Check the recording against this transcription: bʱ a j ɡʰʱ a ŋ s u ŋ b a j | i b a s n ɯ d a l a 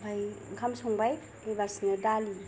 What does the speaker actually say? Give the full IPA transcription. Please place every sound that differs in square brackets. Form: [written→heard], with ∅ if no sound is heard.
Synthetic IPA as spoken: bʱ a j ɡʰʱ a [ŋ→m] s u ŋ b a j | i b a s n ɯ d a l [a→i]